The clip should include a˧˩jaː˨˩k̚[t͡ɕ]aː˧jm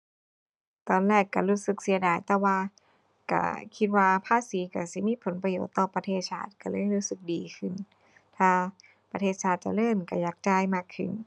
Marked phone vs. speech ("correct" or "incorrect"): correct